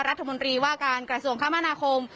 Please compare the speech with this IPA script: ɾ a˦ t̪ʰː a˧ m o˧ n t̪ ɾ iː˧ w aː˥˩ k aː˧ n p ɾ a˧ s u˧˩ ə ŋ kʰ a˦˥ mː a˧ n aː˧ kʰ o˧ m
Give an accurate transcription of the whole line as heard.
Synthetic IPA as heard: ɾ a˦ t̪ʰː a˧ m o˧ n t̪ ɾ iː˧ w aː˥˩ k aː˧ n k ɾ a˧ s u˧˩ ə ŋ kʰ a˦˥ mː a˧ n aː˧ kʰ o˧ m